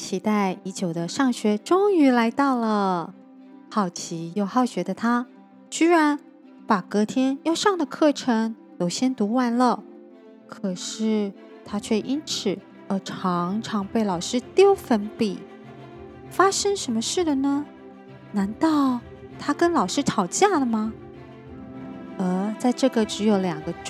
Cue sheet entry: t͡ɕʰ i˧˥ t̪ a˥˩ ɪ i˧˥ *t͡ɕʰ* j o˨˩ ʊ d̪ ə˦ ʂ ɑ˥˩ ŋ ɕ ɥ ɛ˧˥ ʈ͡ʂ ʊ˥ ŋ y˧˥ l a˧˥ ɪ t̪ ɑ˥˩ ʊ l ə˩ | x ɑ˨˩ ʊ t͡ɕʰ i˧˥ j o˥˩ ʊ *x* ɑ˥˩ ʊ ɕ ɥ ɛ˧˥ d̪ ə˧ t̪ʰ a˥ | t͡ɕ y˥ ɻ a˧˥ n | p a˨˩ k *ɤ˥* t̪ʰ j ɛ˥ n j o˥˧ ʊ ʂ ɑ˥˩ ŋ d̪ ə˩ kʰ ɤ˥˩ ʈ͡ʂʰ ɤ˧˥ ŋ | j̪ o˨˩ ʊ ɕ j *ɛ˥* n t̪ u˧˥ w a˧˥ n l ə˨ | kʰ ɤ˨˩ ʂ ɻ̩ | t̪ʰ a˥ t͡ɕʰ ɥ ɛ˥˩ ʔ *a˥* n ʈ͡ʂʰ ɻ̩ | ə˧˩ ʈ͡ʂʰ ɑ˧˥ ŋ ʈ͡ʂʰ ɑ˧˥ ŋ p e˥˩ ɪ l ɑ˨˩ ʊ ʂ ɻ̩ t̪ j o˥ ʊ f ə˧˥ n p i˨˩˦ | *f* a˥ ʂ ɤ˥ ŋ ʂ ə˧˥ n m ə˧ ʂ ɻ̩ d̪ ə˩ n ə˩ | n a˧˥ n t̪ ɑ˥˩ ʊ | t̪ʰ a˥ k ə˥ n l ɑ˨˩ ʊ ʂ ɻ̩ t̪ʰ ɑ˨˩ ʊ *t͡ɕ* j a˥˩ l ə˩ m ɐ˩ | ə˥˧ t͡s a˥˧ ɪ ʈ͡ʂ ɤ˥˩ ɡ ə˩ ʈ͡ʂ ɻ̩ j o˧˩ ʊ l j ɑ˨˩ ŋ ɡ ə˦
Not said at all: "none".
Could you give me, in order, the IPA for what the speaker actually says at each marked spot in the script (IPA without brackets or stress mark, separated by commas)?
t͡ɕ, x, ɤ˧˥, ɛ˥, i˥, f, t͡ɕ